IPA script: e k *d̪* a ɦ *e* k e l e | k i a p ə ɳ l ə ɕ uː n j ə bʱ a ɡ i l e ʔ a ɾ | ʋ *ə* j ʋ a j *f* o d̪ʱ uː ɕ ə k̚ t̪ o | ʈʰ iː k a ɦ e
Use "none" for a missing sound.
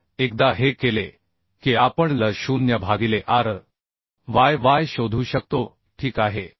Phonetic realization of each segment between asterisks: d̪, e, a, ɕ

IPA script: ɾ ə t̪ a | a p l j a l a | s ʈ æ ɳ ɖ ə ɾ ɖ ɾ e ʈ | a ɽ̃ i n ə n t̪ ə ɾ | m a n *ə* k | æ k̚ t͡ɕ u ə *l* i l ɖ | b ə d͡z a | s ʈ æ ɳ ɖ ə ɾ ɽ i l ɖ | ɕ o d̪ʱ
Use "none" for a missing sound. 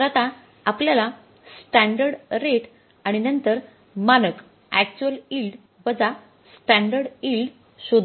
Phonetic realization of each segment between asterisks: ə, l

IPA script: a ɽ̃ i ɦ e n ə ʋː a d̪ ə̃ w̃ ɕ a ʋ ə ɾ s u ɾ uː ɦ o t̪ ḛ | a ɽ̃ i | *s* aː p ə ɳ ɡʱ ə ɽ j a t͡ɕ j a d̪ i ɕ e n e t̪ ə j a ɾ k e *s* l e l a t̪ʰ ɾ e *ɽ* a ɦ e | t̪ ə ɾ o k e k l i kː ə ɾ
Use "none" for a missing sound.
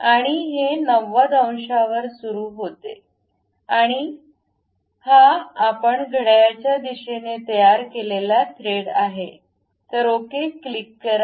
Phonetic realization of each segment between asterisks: h, none, ɽ

